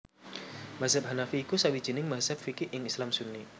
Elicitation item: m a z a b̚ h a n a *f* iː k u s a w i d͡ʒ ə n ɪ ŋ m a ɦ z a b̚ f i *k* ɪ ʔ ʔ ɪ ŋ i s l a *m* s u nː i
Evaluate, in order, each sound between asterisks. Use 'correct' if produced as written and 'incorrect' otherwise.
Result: correct, correct, correct

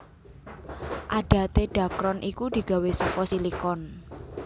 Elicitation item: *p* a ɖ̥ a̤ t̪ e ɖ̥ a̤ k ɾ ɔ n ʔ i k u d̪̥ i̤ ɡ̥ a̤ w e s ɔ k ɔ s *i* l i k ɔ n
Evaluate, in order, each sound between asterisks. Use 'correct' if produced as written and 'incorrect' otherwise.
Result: incorrect, correct

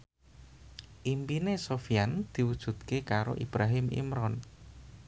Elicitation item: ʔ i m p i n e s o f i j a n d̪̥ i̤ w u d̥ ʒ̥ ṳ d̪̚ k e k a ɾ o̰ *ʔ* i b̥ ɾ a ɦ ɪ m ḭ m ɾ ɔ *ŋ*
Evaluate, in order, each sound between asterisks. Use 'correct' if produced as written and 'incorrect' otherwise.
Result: correct, incorrect

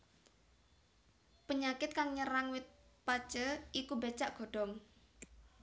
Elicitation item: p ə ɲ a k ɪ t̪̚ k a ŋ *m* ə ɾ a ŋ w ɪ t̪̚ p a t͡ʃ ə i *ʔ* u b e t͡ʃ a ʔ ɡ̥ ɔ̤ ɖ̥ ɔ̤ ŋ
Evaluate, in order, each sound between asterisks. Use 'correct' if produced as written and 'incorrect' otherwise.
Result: incorrect, incorrect

